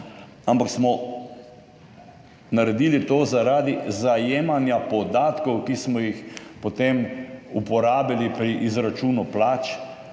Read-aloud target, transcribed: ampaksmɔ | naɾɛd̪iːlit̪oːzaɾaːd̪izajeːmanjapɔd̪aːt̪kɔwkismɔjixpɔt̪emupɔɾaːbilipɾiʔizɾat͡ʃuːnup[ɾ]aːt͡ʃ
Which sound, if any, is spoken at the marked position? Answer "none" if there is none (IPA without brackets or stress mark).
l